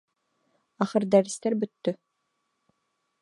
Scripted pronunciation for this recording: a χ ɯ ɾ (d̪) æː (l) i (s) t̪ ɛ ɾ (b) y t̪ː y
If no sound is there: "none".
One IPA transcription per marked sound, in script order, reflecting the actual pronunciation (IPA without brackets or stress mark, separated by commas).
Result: d̪, ɾ, s, b